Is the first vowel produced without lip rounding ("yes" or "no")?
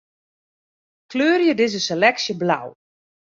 no